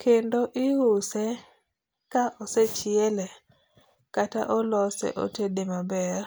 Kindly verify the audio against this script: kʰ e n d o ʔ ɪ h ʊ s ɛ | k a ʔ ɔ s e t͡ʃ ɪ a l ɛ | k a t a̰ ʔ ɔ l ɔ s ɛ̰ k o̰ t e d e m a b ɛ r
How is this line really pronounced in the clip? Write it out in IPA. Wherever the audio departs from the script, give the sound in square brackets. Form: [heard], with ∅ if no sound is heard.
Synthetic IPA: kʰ e n d o ʔ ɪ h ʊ s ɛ | k a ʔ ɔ s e t͡ʃ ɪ [ɛ] l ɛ | k a t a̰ ʔ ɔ l ɔ s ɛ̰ [ʔ] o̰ t e d e m a b ɛ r